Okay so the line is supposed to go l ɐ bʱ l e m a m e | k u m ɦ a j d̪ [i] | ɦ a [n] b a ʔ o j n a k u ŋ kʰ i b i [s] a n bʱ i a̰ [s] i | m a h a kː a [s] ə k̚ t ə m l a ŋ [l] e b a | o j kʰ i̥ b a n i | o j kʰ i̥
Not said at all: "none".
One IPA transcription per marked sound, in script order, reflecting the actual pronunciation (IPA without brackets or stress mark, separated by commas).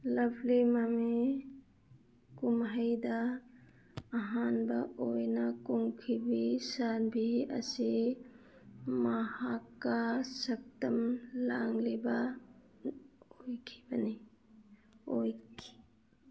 a, n, s, s, s, l